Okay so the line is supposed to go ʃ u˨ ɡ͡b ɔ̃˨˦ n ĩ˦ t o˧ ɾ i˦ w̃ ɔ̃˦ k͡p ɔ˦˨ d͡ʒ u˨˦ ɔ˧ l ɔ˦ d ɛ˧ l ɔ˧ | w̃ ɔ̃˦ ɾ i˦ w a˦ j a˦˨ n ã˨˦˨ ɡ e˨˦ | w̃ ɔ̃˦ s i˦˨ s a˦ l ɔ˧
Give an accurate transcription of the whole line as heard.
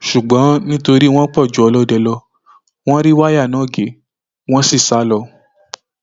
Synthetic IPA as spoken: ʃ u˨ ɡ͡b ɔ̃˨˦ n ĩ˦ t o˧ ɾ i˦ w̃ ɔ̃˦ k͡p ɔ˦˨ d͡ʒ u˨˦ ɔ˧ l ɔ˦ d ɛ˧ l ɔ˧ | w̃ ɔ̃˦ ɾ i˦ w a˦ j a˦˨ n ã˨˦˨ ɡ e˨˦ | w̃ ɔ̃˦ s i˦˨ s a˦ l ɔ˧